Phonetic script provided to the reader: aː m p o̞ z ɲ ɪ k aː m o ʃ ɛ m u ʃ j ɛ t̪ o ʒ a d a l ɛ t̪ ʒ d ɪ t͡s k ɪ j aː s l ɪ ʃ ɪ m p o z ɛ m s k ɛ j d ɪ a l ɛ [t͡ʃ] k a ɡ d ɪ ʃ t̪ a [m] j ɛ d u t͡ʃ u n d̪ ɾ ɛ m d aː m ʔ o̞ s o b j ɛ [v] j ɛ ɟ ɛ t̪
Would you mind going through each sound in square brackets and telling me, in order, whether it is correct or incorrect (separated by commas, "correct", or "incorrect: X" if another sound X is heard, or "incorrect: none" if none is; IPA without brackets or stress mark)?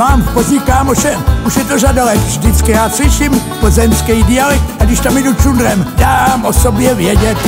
incorrect: none, correct, correct